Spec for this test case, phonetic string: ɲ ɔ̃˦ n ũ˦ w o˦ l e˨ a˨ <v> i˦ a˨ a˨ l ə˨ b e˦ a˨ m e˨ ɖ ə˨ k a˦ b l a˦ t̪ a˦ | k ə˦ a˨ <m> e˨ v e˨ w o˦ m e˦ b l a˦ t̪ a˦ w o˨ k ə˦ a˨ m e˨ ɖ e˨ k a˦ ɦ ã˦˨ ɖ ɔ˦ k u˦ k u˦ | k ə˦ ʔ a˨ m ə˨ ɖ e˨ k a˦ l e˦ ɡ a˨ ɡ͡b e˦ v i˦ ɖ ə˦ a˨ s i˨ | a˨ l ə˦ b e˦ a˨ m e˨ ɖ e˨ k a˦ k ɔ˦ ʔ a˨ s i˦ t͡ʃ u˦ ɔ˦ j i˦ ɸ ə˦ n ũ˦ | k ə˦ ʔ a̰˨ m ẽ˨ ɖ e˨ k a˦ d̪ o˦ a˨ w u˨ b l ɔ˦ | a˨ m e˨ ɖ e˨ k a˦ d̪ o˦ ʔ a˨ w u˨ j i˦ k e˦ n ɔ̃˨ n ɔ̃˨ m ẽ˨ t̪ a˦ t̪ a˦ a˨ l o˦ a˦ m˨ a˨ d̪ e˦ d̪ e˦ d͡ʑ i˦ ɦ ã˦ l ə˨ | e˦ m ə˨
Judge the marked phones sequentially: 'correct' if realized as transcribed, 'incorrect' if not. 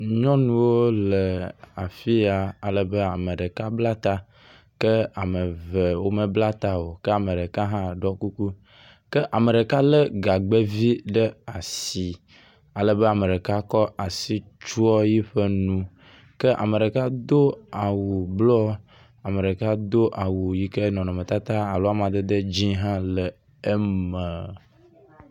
incorrect, correct

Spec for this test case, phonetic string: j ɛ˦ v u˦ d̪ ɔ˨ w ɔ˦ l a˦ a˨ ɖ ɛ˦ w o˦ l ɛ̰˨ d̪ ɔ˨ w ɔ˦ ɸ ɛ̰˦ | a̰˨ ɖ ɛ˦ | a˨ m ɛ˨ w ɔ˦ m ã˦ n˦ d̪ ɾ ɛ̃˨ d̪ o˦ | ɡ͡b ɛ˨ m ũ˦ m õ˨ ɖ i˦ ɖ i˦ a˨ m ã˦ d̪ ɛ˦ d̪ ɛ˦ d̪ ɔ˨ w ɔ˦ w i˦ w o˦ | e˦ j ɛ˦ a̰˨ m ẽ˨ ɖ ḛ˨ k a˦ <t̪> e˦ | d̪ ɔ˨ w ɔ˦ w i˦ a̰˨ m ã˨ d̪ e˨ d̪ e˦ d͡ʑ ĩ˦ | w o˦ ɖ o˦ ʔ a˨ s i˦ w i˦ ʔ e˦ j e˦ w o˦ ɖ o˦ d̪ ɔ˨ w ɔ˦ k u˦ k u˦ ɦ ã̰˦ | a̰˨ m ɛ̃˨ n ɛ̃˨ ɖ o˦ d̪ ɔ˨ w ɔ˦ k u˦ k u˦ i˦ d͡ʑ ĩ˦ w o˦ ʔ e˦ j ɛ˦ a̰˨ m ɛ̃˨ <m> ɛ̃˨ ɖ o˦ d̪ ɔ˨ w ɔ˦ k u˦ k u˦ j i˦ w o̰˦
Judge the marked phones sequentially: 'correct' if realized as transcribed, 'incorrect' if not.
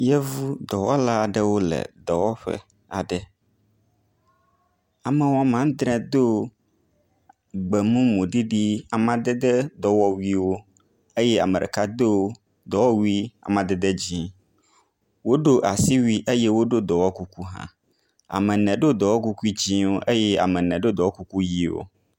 incorrect, incorrect

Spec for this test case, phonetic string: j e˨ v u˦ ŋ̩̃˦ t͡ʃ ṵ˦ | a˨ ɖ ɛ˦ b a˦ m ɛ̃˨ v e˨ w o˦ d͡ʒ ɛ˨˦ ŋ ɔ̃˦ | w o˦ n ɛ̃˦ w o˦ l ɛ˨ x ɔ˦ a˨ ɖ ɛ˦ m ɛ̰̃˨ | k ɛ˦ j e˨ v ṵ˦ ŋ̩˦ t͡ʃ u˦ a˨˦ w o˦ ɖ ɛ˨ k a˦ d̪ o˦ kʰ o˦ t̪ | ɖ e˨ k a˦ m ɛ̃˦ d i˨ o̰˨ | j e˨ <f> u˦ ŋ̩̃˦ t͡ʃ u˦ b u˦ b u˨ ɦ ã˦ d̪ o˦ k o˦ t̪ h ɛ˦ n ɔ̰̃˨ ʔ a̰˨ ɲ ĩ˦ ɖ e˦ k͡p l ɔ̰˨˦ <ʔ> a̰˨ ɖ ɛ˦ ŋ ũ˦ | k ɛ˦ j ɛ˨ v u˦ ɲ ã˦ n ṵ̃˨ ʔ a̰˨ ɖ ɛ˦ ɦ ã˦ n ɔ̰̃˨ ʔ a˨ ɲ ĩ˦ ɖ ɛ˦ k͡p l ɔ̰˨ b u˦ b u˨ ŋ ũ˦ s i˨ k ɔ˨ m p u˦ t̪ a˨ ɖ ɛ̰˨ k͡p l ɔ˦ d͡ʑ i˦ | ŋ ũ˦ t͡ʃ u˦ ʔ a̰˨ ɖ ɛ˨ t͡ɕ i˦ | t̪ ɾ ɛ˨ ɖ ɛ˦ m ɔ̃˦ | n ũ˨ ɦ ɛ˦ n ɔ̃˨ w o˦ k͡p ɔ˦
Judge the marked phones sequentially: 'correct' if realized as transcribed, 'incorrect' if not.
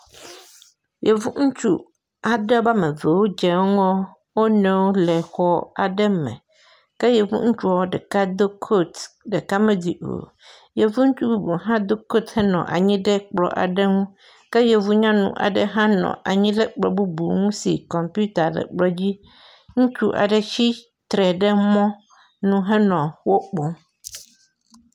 incorrect, correct

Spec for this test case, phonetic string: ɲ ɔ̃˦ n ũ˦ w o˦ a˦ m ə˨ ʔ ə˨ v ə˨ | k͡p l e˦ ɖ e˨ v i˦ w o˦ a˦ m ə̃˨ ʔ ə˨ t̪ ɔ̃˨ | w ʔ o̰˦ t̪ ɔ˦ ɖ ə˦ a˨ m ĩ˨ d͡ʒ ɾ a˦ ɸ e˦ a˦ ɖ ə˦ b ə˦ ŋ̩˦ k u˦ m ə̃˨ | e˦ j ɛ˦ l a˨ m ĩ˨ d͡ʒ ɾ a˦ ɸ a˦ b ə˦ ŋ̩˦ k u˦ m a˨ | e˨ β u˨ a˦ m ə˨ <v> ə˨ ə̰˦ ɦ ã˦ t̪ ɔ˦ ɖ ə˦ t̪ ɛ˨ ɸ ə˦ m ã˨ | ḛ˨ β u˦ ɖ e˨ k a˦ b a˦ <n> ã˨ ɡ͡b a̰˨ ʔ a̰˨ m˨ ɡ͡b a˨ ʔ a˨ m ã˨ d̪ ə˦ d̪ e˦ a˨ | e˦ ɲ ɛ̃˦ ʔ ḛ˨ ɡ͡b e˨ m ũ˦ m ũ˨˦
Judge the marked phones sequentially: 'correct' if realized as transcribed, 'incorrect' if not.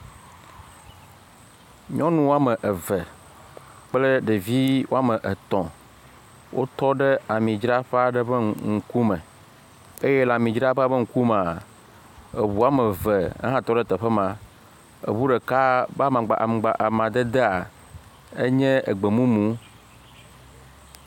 correct, incorrect

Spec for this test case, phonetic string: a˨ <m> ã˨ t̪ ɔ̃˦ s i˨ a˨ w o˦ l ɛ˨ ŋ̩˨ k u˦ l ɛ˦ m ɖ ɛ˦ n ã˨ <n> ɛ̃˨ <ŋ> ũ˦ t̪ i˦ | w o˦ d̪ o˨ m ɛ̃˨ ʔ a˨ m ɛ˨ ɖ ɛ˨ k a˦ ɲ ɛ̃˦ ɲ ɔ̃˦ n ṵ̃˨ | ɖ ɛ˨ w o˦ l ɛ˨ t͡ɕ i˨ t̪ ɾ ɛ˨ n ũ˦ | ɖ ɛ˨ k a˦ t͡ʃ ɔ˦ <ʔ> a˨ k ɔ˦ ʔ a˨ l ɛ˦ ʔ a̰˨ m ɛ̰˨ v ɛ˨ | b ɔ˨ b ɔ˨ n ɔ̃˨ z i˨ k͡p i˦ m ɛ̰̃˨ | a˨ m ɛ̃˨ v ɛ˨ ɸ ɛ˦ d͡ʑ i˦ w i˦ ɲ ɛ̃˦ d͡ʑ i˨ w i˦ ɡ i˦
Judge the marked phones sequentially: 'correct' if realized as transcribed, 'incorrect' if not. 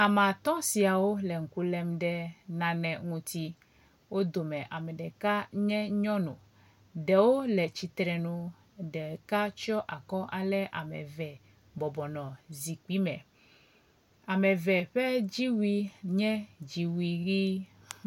correct, correct, correct, correct

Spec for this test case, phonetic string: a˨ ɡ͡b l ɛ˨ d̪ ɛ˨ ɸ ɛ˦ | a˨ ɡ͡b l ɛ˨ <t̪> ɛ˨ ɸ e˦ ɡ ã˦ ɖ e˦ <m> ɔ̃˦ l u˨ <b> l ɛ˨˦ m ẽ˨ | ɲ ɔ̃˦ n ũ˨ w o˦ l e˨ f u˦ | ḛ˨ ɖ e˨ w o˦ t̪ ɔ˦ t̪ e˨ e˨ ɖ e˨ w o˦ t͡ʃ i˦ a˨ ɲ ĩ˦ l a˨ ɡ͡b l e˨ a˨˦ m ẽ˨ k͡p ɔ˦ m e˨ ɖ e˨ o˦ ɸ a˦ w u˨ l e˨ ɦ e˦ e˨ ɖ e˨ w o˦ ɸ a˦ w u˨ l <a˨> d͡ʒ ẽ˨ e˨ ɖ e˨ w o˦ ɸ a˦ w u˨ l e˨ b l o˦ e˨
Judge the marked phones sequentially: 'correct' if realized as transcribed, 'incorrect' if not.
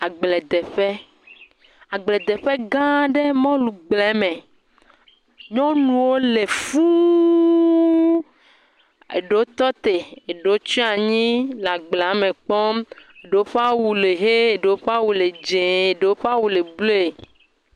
incorrect, correct, incorrect, incorrect

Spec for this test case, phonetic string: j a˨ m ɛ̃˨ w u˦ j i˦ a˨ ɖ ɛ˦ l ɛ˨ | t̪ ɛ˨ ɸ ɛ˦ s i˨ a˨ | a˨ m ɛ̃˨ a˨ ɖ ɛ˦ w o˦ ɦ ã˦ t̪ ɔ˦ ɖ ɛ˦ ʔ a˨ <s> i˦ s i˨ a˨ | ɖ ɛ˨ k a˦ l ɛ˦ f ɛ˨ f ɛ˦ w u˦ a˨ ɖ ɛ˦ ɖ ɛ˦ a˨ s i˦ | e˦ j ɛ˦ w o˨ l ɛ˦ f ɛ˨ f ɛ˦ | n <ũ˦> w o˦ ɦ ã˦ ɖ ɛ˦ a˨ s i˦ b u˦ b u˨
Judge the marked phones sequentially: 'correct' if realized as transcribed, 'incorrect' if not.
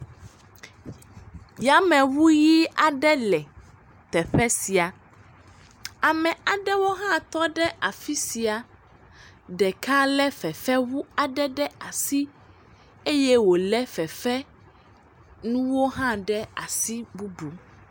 incorrect, correct

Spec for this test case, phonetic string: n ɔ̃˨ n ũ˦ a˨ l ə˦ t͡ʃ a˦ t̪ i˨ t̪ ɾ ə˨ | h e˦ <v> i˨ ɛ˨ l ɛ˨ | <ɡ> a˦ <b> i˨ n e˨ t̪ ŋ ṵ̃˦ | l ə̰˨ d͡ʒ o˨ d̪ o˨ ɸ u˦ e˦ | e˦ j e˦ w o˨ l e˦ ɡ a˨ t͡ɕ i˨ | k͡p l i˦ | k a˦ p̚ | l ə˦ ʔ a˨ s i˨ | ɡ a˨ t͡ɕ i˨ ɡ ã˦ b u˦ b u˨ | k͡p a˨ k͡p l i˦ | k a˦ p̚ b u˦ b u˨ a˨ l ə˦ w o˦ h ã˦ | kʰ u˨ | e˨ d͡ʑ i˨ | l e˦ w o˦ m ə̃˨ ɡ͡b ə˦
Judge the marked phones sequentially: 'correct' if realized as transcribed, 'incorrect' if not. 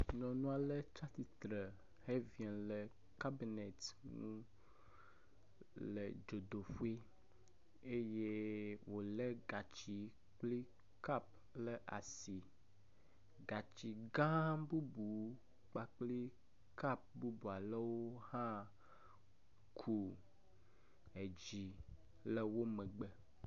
correct, incorrect, correct

